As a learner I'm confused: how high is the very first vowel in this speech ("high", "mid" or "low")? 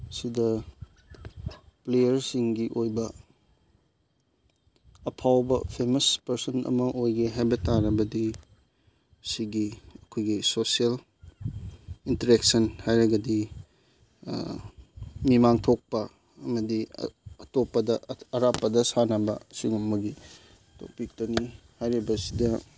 high